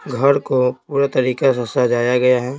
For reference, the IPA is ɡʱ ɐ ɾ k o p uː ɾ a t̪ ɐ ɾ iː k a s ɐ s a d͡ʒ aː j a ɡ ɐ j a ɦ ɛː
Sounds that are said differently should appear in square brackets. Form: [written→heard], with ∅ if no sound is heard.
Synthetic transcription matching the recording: ɡʱ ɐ ɾ k o p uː ɾ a t̪ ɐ ɾ iː k a s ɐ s a d͡ʒ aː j a ɡ ɐ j a ɦ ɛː